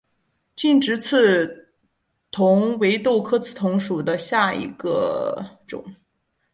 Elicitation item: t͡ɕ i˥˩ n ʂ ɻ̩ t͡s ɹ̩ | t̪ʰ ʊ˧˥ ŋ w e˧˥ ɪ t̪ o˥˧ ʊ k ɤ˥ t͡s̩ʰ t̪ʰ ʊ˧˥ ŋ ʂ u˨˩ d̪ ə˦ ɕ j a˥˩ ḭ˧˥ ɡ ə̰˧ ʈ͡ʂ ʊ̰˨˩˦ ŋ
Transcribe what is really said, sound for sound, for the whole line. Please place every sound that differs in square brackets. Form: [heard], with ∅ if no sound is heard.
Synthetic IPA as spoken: t͡ɕ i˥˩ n [ʈ͡ʂ] ɻ̩ [t͡sʰ] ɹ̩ | t̪ʰ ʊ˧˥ ŋ w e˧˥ ɪ t̪ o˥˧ ʊ [kʰ] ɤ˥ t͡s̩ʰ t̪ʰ ʊ˧˥ ŋ ʂ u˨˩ d̪ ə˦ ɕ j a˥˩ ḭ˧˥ ɡ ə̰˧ ʈ͡ʂ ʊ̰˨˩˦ ŋ